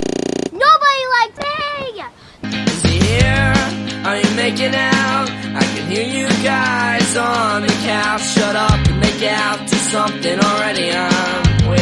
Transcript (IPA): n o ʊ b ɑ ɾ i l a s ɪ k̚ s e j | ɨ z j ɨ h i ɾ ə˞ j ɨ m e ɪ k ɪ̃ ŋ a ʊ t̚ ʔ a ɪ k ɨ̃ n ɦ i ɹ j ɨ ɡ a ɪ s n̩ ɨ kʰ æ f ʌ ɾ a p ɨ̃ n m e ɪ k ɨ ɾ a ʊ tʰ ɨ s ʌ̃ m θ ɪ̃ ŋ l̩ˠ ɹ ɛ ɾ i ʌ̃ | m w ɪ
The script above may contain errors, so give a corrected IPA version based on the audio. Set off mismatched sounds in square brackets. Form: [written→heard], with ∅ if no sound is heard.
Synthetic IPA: n o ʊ b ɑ ɾ i l a [s→∅] ɪ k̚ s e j | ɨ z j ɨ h i [ɾ→ɹ] ə˞ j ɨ m e ɪ k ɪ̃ ŋ a ʊ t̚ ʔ a ɪ k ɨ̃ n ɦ i ɹ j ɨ ɡ a ɪ [s→z] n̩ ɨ kʰ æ [f→ʃ] ʌ ɾ [a→ʌ] p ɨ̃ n m e ɪ k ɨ ɾ a ʊ tʰ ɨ s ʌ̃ m θ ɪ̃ ŋ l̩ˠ ɹ ɛ ɾ i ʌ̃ | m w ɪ